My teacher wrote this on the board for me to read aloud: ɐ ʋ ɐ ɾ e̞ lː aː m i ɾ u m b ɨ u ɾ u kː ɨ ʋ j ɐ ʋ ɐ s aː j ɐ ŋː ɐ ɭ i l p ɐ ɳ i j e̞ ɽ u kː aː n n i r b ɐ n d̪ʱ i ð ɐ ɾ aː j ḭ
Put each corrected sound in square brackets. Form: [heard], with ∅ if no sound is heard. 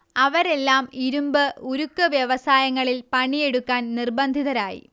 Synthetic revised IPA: ɐ ʋ ɐ ɾ e̞ lː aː m i ɾ u m b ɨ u ɾ u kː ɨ ʋ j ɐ ʋ ɐ s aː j ɐ ŋː ɐ ɭ i l p ɐ ɳ i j e̞ ɽ u kː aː n n i r b ɐ n d̪ʱ i ð ɐ ɾ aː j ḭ